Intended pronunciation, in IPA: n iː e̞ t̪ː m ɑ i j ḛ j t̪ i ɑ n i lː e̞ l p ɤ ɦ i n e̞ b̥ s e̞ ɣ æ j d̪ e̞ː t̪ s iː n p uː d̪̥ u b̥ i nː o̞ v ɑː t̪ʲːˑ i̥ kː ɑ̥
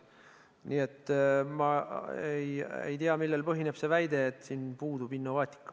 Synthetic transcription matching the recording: n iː e̞ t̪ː m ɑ e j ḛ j t̪ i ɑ m i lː e̞ l p ɤ ɦ i n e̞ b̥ s e̞ v æ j d̪ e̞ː t̪ s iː n p uː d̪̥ u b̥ i nː o̞ v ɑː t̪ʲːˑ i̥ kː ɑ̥